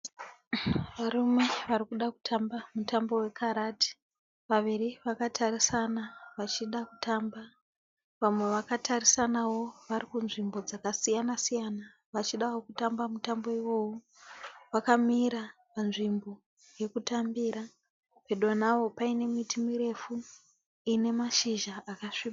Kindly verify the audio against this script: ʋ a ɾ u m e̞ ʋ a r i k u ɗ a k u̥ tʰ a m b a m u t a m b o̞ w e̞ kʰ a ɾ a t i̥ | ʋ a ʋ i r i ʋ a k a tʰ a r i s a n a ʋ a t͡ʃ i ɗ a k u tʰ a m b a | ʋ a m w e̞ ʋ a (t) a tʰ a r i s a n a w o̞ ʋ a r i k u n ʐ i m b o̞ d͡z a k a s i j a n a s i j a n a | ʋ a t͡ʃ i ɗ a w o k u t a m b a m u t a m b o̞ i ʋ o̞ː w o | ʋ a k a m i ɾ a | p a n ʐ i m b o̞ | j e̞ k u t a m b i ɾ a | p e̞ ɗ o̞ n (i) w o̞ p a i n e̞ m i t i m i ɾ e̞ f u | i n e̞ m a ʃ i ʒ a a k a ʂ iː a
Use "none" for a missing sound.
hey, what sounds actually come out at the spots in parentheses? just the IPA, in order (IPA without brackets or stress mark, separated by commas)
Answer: k, a